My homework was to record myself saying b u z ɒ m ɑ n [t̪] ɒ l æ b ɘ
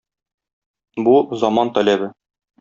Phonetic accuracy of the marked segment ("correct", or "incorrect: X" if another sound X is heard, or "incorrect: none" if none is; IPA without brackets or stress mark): correct